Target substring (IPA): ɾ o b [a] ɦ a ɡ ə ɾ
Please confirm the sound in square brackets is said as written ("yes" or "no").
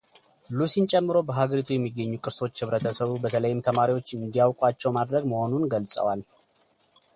no